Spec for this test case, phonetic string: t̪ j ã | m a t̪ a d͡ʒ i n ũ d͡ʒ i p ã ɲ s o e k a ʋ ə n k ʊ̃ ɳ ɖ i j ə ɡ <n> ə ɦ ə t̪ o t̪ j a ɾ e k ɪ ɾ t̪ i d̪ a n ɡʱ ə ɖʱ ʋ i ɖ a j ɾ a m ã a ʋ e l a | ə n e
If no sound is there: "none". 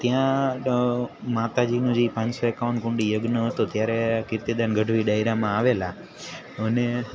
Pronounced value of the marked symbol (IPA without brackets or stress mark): n